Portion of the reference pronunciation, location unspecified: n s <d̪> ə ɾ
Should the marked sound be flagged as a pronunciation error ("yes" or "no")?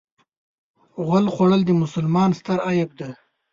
yes